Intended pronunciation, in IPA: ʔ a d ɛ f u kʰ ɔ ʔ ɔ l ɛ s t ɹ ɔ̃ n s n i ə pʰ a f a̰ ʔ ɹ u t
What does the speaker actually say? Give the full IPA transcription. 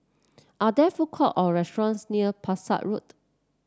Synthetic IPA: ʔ a d ɛ f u kʰ ɔ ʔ ɔ ɹ ɛ s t ɹ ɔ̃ n s n i ə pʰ a s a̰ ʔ ɹ u t

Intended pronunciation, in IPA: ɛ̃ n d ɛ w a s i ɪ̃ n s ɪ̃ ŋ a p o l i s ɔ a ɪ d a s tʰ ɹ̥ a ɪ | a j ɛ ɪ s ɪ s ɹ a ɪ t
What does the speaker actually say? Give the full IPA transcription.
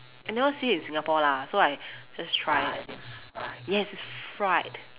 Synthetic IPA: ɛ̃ n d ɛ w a s i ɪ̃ n s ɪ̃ ŋ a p ɔ l a s o a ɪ d͡ʒ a s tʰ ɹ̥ a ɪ | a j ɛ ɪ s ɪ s ɹ a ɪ t

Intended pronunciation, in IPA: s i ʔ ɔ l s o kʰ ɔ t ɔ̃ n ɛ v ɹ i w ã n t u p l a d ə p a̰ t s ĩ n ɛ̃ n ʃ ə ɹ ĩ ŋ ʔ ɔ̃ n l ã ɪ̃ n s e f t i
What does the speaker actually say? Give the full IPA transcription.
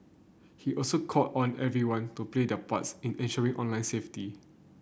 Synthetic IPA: h i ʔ ɔ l s o kʰ ɔ t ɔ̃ n ɛ v ɹ i w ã n t u p l e d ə p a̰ t s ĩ n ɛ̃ n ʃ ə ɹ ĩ ŋ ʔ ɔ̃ n l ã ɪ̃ n s e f t i

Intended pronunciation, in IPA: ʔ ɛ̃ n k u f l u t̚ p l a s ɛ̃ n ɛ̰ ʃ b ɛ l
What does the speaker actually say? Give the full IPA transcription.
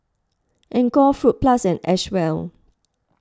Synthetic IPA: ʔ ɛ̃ n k ɔ f ɹ u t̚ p l a s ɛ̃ n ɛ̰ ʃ w ɛ l

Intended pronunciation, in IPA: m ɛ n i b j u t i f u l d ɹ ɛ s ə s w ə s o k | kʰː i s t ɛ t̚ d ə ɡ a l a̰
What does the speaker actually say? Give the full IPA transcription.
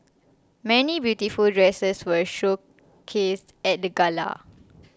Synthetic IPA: m ɛ n i b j u t i f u l d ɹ ɛ s ə s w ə ʃ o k | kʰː e s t ɛ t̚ d ə ɡ a l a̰

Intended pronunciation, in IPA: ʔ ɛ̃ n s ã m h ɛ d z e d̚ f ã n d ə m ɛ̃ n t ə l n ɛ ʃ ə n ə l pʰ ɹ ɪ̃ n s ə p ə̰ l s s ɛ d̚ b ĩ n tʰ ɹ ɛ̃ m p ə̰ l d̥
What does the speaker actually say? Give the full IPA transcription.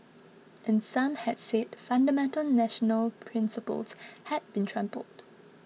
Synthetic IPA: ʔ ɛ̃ n s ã m h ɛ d s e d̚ f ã n d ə m ɛ̃ n t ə l n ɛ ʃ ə n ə l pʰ ɹ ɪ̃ n s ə p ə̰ l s h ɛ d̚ b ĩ n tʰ ɹ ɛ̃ m p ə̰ l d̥

